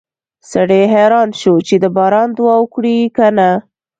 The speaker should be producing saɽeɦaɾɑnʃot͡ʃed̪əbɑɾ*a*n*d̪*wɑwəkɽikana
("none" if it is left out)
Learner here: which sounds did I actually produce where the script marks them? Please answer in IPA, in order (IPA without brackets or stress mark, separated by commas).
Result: ɑ, d̪